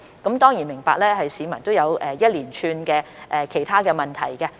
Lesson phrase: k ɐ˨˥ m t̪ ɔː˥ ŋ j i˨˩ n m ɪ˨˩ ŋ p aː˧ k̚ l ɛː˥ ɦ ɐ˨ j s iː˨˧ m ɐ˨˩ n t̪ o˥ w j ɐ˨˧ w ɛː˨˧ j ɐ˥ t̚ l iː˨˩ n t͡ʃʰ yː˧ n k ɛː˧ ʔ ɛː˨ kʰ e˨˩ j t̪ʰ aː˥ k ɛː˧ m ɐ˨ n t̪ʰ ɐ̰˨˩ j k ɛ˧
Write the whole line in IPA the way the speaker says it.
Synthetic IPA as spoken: k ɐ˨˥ m t̪ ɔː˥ ŋ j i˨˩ n m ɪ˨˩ ŋ p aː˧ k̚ l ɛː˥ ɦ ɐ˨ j s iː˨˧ m ɐ˨˩ n t̪ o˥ w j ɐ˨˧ w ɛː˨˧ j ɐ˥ t̚ l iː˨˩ n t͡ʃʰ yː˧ n k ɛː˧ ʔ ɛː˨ kʰ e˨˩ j t̪ʰ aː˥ k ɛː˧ m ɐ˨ n t̪ʰ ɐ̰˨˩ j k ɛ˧

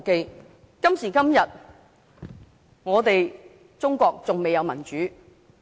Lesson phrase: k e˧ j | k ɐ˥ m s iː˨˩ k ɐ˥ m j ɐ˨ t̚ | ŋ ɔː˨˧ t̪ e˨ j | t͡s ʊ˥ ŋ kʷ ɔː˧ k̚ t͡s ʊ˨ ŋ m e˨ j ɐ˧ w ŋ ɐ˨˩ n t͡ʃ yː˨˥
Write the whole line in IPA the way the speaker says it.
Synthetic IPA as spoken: k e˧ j | k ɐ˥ m s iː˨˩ k ɐ˥ m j ɐ˨ t̚ | ŋ ɔː˨˧ t̪ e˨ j | t͡s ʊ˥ ŋ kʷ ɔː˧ k̚ t͡s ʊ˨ ŋ m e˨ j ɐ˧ w m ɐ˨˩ n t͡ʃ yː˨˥

